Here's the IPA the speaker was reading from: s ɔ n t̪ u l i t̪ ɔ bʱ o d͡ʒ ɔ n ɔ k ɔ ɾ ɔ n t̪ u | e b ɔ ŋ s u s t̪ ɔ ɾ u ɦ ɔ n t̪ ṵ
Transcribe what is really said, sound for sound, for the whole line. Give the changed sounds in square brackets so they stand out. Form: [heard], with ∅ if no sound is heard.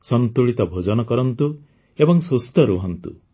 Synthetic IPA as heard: s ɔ n t̪ u [ɭ] i t̪ ɔ bʱ o d͡ʒ ɔ n ɔ k ɔ ɾ ɔ n t̪ u | e b ɔ ŋ s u s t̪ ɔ ɾ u ɦ ɔ n t̪ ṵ